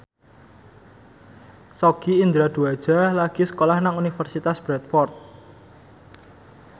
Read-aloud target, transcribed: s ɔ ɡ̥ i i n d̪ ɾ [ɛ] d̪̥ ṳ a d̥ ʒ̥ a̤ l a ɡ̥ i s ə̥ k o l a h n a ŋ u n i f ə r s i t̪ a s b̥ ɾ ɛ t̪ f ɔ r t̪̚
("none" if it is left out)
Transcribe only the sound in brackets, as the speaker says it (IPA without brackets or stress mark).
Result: a